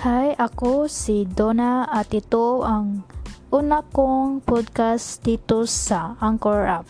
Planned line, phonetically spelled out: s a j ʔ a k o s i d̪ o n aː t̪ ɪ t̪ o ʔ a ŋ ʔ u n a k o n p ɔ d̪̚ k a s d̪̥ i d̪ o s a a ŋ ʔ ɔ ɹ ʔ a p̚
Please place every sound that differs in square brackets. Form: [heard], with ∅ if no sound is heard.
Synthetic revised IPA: [h] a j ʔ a k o s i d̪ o n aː t̪ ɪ t̪ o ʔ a ŋ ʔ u n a k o [ŋ] p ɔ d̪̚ k a s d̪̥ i [t̪] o s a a ŋ [k] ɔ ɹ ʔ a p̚